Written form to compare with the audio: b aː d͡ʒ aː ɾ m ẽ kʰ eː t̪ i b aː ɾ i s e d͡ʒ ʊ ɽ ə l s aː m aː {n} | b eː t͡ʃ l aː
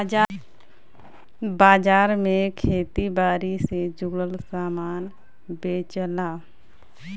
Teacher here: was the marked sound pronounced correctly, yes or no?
yes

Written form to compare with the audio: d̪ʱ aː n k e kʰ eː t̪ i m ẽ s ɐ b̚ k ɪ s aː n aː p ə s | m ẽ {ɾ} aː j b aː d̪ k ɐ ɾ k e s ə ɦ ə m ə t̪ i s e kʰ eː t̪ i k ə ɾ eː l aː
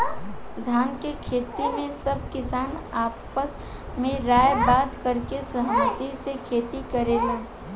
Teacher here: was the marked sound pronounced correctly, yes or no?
yes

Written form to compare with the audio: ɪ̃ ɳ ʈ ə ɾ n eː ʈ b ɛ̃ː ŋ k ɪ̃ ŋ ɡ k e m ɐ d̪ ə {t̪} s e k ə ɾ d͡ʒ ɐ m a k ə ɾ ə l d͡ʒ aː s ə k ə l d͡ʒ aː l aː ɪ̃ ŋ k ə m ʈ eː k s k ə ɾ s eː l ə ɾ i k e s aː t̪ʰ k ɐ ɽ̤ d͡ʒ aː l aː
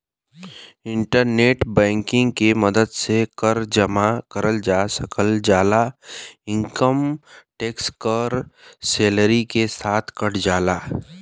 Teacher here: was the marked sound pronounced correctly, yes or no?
no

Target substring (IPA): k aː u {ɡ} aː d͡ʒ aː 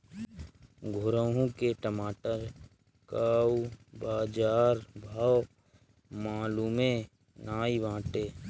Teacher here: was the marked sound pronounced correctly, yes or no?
no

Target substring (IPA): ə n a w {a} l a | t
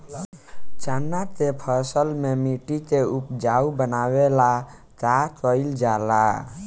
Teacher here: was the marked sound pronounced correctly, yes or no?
no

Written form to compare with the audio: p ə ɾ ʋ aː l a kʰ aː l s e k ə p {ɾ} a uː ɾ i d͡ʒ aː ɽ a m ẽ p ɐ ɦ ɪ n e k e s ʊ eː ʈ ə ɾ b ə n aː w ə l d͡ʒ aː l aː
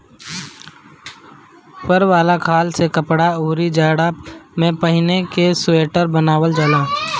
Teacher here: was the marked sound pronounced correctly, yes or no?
no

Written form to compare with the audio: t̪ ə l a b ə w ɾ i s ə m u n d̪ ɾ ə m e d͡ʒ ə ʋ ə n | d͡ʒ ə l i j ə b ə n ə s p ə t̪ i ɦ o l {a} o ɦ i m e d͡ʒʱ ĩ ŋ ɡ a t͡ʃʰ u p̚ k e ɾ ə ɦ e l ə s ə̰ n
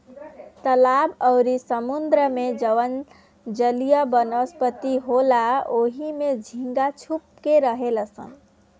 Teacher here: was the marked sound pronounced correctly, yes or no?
yes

